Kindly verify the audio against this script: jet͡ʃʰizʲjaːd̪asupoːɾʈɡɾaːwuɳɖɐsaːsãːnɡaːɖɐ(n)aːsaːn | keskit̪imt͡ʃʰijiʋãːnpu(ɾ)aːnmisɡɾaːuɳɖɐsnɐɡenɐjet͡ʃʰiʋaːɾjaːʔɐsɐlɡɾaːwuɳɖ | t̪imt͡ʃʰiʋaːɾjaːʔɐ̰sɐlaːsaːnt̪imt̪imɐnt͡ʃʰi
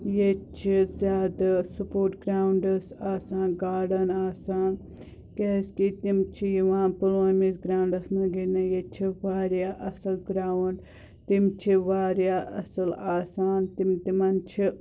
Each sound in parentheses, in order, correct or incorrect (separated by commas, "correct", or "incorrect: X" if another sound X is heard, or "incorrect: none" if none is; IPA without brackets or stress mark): correct, incorrect: l